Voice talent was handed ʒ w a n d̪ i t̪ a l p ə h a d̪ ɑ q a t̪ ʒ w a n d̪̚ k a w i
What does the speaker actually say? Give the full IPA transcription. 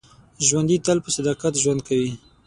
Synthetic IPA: ʒ w a n d̪ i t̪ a l p ə s a d̪ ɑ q a t̪ ʒ w a n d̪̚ k a w i